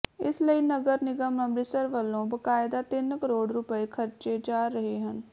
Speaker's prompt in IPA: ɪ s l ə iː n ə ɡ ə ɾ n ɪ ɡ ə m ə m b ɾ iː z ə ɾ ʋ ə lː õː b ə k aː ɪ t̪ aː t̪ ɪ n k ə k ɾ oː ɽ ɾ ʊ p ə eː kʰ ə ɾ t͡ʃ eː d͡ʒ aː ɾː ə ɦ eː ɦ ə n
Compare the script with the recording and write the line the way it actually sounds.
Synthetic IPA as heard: ɪ s l ə iː n ə ɡ ə ɾ n ɪ ɡ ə m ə m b ɾ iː s ə ɾ ʋ ə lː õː b ə k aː ɪ d̪ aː t̪ ɪ n k ə ɾ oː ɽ ɾ ʊ p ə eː kʰ ə ɾ t͡ʃ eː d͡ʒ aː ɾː ə ɦ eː ɦ ə n